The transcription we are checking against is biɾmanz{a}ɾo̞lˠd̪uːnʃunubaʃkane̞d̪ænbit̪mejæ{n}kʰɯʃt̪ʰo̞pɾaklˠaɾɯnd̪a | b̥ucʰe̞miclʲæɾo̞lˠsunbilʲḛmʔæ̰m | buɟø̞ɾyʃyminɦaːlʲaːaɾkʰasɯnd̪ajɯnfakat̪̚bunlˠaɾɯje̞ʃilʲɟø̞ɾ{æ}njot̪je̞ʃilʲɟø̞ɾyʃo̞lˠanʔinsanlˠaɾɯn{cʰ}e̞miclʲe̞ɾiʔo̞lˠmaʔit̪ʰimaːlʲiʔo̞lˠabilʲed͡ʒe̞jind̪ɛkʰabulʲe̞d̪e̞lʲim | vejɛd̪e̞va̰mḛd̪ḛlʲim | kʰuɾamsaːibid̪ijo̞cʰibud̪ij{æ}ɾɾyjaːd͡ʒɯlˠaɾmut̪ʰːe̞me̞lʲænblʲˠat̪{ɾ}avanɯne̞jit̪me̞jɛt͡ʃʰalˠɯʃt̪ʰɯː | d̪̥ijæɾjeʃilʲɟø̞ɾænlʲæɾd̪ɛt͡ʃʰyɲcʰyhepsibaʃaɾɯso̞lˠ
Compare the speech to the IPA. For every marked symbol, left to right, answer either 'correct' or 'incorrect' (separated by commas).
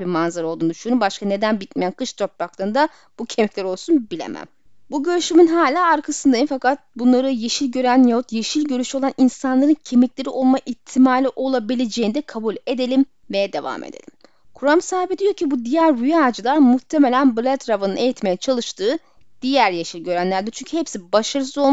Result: correct, correct, correct, correct, correct, correct